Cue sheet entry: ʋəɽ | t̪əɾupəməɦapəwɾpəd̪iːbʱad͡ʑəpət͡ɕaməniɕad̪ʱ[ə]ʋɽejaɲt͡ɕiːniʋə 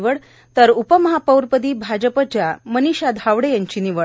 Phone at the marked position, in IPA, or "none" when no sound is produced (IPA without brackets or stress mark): a